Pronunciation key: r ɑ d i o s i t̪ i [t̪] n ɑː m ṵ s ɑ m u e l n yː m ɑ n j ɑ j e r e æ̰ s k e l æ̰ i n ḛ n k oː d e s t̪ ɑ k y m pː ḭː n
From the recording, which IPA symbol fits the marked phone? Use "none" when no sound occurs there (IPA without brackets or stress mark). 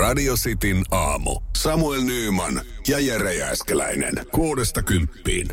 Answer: none